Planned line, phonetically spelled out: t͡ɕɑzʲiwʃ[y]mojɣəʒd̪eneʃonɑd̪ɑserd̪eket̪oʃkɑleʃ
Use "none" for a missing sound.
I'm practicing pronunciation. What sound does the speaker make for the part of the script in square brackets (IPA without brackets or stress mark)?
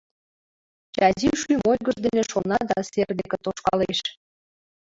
y